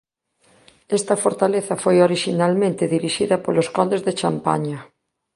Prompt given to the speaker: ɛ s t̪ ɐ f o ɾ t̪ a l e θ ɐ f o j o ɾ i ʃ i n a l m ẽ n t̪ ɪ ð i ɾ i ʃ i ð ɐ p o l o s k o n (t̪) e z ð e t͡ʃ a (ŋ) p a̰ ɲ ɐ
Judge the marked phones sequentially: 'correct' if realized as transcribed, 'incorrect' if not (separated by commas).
incorrect, incorrect